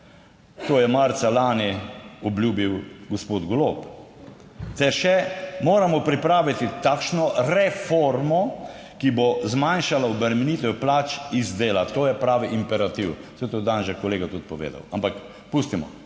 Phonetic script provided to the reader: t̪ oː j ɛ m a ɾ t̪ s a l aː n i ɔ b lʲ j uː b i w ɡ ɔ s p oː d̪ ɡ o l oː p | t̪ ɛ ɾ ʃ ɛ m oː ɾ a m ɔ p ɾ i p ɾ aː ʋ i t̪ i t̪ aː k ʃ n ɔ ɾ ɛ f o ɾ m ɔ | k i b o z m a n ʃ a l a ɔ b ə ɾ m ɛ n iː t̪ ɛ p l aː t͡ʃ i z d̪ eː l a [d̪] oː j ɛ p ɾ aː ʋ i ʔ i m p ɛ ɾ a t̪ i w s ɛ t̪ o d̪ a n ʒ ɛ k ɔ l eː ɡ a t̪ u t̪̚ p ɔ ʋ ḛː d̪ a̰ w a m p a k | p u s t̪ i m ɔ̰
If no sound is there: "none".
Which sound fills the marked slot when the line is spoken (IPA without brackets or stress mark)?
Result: t̪